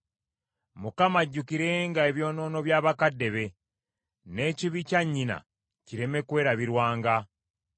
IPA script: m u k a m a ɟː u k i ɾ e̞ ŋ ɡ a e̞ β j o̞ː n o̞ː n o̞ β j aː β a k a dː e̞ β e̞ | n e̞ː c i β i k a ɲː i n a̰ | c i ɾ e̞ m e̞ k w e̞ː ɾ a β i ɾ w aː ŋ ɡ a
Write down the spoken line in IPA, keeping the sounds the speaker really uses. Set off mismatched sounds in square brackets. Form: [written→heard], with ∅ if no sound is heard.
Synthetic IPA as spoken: m u k a m a ɟː u k i ɾ e̞ ŋ ɡ a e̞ β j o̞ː n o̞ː n o̞ β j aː β a k a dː e̞ β e̞ | n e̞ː c i β i [k→c] a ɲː i n a̰ | c i ɾ e̞ m e̞ k w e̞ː ɾ a β i ɾ w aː ŋ ɡ a